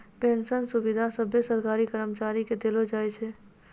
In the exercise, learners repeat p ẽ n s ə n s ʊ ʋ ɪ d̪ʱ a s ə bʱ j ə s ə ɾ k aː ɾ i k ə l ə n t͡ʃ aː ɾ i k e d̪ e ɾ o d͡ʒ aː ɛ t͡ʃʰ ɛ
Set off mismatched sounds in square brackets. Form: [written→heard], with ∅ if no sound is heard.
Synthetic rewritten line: p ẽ n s ə n s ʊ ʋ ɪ d̪ʱ a s ə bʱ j ə s ə ɾ k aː ɾ i k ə [l→ɾ] ə [n→m] t͡ʃ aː ɾ i k e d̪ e [ɾ→l] o d͡ʒ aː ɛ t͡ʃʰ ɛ